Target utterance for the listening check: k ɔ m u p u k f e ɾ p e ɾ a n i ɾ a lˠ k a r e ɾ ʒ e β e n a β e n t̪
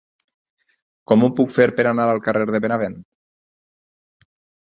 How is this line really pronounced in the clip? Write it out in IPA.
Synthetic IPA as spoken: k ɔ m u p u k f e ɾ p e ɾ a n a ɾ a lˠ k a r e ɾ ð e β e n a β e n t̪